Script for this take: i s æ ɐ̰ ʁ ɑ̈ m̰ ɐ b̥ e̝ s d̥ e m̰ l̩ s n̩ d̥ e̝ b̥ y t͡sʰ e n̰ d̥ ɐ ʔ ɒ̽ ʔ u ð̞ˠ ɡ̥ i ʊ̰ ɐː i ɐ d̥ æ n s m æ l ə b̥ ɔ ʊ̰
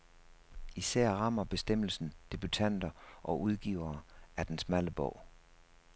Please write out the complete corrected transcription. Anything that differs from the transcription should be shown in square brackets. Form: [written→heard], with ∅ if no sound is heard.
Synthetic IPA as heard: i s æ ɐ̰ ʁ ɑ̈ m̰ ɐ b̥ e̝ s d̥ e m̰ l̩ s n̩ d̥ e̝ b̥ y t͡sʰ [e→æ] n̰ d̥ ɐ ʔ ɒ̽ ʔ u ð̞ˠ ɡ̥ i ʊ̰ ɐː [i→æ] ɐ d̥ [æ→e] n s m æ l ə b̥ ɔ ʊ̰